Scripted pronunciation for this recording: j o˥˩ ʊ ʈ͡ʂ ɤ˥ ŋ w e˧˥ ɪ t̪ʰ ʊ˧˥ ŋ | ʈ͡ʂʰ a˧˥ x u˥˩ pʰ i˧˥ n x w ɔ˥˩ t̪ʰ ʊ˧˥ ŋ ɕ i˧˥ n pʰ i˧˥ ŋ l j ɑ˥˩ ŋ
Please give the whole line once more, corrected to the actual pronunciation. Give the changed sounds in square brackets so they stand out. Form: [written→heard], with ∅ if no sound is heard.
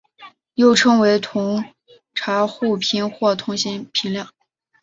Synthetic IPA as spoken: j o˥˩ ʊ [ʈ͡ʂ→ʈ͡ʂʰ] ɤ˥ ŋ w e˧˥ ɪ t̪ʰ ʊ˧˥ ŋ | ʈ͡ʂʰ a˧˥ x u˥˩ pʰ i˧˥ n x w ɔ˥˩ t̪ʰ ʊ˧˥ ŋ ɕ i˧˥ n pʰ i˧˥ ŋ l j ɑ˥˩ ŋ